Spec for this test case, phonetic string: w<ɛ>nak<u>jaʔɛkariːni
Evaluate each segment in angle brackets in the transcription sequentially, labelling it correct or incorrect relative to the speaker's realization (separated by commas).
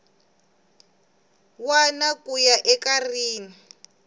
incorrect, correct